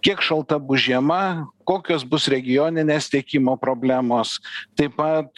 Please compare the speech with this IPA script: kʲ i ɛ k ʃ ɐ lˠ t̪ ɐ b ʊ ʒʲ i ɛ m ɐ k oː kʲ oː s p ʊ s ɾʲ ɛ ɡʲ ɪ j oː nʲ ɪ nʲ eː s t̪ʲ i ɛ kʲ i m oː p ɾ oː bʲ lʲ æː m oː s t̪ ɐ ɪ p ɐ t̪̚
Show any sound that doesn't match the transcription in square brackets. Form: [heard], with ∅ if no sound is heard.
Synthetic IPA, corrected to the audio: kʲ i ɛ k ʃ ɐ lˠ t̪ ɐ b ʊ ʒʲ i ɛ m ɐ k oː kʲ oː s [b] ʊ s ɾʲ ɛ ɡʲ ɪ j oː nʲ ɪ nʲ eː s t̪ʲ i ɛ kʲ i m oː p ɾ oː bʲ lʲ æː m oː s t̪ ɐ ɪ p ɐ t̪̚